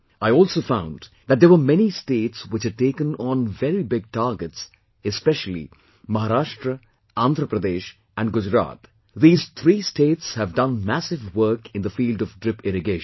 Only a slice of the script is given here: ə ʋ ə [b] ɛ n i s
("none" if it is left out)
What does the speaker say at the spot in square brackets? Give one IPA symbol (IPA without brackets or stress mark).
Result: m